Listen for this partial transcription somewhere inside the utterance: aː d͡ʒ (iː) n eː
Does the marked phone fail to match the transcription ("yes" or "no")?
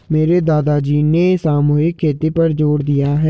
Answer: no